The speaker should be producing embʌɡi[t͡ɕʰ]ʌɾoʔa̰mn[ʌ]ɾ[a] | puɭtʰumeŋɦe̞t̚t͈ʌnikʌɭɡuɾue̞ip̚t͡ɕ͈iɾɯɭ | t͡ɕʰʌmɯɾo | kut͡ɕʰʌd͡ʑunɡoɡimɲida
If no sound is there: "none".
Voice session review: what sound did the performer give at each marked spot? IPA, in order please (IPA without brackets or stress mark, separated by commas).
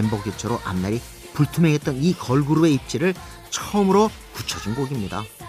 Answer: t͡ɕʰ, a, i